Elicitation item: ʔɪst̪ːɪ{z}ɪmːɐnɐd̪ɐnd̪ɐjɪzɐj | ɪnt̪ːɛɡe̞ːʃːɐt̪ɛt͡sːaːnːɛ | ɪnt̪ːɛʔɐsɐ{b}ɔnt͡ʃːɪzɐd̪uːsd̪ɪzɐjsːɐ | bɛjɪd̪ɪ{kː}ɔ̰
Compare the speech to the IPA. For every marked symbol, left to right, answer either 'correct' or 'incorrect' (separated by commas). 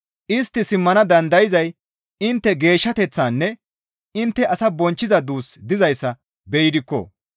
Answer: incorrect, correct, correct